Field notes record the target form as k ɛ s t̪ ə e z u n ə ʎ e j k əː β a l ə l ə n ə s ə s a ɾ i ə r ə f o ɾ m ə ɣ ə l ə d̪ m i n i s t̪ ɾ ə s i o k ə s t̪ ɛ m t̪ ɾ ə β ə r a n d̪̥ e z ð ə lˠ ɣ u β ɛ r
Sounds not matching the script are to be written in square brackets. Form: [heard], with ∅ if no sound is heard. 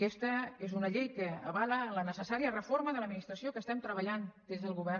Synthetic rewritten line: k ɛ s t̪ ə e z u n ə ʎ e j k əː β a l ə l ə n ə s ə s a ɾ i ə r ə f o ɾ m ə [ð] ə l ə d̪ m i n i s t̪ ɾ ə s i o k ə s t̪ ɛ m t̪ ɾ ə β ə [ʎ] a n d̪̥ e z ð ə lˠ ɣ u β ɛ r